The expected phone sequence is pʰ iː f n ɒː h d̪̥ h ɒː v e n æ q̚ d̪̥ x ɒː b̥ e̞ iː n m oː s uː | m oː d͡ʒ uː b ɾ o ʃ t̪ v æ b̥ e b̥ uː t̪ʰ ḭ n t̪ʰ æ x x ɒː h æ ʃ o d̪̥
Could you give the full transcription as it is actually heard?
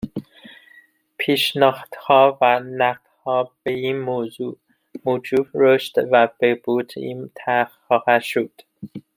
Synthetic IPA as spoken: pʰ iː ʃ n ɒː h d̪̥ h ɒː v æ n æ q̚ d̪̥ h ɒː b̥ e̞ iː n m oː z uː | m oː d͡ʒ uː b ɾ o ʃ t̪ v æ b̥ e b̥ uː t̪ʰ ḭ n t̪ʰ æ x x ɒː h æ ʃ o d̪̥